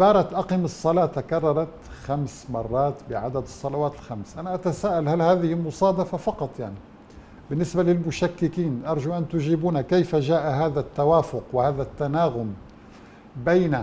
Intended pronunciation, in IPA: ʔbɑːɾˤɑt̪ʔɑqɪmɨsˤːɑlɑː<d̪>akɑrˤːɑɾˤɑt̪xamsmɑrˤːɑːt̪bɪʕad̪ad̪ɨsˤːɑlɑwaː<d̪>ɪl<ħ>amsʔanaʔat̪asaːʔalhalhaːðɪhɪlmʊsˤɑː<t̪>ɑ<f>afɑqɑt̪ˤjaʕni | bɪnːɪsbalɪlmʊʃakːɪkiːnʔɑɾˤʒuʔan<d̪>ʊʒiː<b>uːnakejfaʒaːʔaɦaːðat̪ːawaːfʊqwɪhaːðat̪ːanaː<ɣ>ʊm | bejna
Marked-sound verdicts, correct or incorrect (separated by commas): incorrect, incorrect, incorrect, incorrect, correct, incorrect, correct, correct